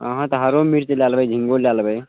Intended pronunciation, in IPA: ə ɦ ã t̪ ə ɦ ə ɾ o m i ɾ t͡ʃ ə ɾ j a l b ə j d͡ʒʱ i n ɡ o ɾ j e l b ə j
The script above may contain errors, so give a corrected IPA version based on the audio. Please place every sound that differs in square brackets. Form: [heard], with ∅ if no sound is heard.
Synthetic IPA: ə ɦ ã t̪ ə ɦ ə ɾ o m i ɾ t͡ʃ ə [l] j a l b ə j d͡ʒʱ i [ŋ] ɡ o [l] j [a] l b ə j